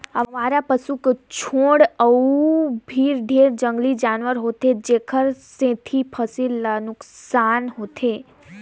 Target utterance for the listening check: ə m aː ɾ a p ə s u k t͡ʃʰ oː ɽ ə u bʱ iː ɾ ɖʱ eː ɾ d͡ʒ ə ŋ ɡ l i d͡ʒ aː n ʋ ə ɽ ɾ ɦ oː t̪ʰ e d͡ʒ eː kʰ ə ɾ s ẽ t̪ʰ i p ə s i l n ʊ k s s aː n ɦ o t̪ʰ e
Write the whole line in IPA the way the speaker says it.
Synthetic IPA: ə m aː ɾ a p ə s u k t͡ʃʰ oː ɽ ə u bʱ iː ɾ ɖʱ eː ɾ d͡ʒ ə ŋ ɡ l i d͡ʒ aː n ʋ ə ɾ ɦ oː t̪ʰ e d͡ʒ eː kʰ ə ɾ s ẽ t̪ʰ i pʰ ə s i l n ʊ k s s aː n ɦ o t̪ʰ e